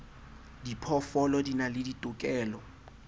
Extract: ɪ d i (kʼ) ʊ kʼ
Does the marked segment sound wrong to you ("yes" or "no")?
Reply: yes